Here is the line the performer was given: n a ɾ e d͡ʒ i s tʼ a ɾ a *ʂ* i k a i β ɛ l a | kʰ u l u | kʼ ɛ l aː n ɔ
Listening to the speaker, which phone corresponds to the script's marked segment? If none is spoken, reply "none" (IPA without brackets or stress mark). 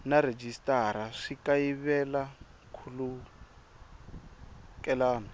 ʂ